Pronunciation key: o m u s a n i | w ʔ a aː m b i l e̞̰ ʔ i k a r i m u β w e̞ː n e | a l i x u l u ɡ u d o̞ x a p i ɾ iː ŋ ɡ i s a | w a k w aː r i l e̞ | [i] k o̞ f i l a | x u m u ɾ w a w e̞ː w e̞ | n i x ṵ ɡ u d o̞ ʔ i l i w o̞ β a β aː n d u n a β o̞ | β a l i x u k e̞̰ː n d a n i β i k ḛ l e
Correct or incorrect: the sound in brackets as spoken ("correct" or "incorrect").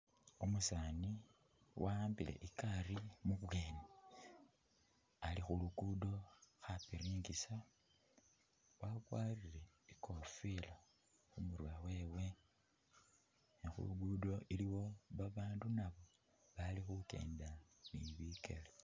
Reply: correct